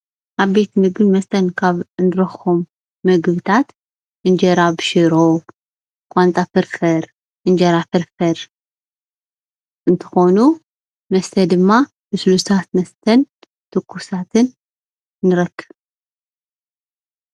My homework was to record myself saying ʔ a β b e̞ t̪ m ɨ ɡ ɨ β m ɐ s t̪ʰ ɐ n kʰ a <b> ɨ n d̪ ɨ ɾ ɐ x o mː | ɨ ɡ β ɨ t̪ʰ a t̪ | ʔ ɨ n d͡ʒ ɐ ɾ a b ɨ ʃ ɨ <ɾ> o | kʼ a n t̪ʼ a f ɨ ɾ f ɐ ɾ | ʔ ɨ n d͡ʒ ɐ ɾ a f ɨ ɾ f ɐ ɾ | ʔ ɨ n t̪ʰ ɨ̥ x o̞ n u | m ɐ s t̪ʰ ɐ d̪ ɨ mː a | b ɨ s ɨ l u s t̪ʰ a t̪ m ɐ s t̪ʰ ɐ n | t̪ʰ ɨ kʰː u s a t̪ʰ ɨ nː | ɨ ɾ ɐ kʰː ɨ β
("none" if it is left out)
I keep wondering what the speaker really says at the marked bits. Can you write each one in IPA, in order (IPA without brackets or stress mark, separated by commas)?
β, ɾ